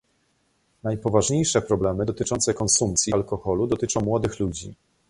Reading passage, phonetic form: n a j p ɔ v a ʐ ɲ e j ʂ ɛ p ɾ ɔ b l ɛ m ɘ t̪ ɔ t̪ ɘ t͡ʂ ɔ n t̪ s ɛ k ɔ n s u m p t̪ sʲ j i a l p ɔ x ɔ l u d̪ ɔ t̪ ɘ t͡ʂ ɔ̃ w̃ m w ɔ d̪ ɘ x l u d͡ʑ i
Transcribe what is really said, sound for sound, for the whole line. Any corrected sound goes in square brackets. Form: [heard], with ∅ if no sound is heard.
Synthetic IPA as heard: n a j p ɔ v a ʐ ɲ e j ʂ ɛ p ɾ ɔ b l ɛ m ɘ [d̪] ɔ t̪ ɘ t͡ʂ ɔ n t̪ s ɛ k ɔ n s u m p t̪ sʲ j i a l [k] ɔ x ɔ l u d̪ ɔ t̪ ɘ t͡ʂ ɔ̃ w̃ m w ɔ d̪ ɘ x l u d͡ʑ i